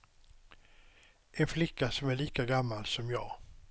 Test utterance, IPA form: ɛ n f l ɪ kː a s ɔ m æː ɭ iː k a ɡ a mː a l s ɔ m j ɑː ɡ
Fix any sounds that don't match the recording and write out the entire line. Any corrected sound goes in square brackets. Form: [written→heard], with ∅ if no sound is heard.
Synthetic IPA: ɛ n f l ɪ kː a s ɔ m [æː→æ] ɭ iː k a ɡ a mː a l s ɔ m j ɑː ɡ